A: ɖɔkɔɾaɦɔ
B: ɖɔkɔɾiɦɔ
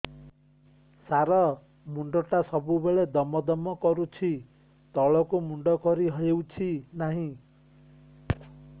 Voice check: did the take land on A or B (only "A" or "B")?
B